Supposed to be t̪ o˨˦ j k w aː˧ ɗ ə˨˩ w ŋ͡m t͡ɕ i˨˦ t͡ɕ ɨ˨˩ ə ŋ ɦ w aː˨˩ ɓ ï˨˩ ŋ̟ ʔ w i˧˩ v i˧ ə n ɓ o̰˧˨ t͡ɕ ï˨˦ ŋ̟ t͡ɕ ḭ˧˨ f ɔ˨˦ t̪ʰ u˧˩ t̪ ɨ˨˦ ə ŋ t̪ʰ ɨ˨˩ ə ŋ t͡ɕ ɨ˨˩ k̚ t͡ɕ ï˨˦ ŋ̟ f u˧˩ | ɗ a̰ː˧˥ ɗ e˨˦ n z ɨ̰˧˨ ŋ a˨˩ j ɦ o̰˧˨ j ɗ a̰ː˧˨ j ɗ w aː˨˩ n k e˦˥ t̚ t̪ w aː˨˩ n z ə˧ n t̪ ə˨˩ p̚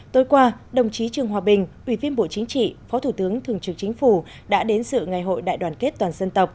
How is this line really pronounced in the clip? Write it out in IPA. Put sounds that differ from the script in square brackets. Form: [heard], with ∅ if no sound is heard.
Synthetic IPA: t̪ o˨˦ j k w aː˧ ɗ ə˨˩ w ŋ͡m t͡ɕ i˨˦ t͡ɕ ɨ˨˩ ə ŋ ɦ w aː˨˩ ɓ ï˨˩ ŋ̟ ʔ w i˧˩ v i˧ ə n ɓ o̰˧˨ t͡ɕ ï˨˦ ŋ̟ t͡ɕ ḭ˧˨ f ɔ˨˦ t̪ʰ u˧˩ t̪ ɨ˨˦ ə ŋ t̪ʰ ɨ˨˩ ə ŋ t͡ɕ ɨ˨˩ k̚ t͡ɕ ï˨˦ ŋ̟ f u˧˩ | ɗ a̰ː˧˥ ɗ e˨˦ n [s] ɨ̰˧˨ ŋ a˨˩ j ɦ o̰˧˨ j ɗ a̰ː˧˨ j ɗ w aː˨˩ n k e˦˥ t̚ t̪ w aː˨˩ n z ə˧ n t̪ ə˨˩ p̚